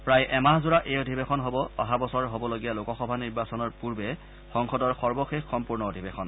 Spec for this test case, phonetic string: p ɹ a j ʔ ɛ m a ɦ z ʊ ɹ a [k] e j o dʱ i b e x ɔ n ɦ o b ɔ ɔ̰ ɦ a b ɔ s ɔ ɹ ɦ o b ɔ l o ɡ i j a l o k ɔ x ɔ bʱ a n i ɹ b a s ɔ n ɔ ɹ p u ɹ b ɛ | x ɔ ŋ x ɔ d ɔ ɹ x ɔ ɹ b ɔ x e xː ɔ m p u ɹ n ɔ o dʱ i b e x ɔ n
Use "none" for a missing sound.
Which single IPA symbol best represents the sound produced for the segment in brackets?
ʔ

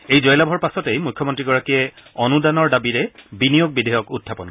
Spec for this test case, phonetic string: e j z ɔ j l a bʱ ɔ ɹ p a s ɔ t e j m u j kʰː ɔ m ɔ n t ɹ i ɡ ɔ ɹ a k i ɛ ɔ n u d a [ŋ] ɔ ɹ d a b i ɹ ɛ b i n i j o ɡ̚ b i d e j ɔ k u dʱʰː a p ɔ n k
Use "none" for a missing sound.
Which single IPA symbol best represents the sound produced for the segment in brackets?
n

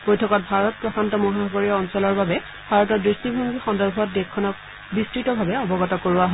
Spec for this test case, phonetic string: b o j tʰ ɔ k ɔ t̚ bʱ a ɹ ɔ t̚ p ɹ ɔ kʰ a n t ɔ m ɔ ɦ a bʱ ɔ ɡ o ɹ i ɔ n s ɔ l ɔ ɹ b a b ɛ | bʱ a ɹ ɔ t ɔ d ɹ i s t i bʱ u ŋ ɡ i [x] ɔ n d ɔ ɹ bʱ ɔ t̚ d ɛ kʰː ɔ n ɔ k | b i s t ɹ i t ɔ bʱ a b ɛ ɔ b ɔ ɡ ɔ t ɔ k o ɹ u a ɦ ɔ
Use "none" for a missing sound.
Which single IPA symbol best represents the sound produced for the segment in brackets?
x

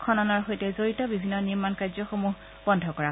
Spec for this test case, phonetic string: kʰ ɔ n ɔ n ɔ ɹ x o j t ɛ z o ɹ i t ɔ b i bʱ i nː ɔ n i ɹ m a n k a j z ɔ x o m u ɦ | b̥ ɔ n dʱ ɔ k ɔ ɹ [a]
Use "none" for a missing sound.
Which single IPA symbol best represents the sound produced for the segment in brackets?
a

